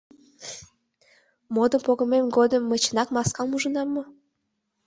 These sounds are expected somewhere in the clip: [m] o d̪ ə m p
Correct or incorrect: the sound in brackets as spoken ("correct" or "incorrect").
correct